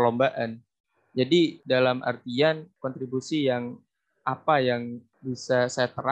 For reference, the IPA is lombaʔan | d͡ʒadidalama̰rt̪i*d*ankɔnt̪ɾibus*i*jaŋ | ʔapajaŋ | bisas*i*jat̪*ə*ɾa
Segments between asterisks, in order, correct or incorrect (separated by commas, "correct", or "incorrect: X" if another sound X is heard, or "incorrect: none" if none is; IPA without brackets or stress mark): incorrect: none, correct, incorrect: a, correct